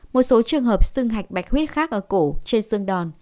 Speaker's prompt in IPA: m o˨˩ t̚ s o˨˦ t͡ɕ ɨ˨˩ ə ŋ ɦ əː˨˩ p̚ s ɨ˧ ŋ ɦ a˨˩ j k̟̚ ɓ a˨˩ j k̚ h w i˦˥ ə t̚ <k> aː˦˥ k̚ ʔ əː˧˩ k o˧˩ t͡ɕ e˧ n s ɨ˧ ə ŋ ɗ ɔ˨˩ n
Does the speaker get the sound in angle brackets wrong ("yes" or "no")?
yes